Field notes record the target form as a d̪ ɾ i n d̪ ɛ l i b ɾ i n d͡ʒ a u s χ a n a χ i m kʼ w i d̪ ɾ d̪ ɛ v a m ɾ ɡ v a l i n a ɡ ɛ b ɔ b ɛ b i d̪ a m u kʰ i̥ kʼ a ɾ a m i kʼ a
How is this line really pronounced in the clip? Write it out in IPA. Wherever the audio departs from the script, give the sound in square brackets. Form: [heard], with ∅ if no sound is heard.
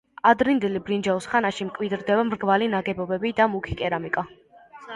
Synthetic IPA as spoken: a d̪ ɾ i n d̪ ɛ l i b ɾ i n d͡ʒ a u s χ a n a [ʃ] i m kʼ w i d̪ ɾ d̪ ɛ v a m ɾ ɡ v a l i n a ɡ ɛ b ɔ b ɛ b i d̪ a m u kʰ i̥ kʼ [ɛ] ɾ a m i kʼ a